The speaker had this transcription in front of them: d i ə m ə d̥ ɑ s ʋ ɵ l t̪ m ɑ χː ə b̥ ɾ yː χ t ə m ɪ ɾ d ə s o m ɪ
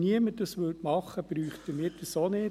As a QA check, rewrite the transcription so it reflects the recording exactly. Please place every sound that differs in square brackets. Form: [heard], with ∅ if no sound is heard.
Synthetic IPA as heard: [n] i ə m ə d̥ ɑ s ʋ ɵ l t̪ m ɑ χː ə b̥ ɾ yː χ t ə m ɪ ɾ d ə s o [n] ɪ